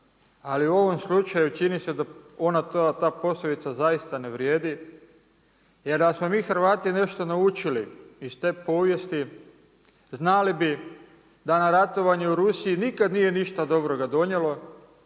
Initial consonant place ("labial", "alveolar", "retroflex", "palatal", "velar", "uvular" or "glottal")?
alveolar